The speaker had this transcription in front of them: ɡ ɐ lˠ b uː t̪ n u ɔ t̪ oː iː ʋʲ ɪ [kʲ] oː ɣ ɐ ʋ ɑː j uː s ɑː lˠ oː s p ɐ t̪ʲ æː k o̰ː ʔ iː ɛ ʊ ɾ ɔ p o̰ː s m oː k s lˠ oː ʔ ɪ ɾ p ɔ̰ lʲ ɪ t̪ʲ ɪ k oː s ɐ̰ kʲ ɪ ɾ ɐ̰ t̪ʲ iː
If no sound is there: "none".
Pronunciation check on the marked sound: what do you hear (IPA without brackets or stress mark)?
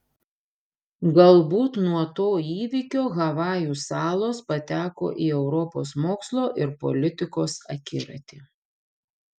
kʲ